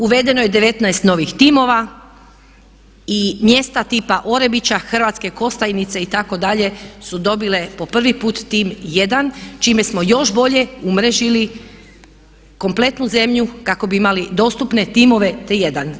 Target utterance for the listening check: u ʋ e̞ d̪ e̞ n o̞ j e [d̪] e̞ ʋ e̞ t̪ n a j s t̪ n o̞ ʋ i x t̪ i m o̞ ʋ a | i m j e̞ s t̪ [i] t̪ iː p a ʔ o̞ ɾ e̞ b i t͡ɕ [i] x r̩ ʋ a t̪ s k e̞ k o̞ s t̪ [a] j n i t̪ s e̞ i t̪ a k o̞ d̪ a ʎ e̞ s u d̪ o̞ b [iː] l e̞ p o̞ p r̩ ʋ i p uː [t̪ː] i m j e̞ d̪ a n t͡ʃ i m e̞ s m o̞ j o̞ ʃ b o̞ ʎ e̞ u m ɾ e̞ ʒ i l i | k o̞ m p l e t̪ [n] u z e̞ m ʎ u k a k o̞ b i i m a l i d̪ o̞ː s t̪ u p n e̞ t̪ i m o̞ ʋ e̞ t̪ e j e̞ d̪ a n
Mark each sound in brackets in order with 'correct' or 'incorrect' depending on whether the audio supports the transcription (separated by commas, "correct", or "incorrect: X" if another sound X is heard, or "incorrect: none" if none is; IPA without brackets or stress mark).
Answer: correct, incorrect: a, incorrect: a, correct, incorrect: i, correct, correct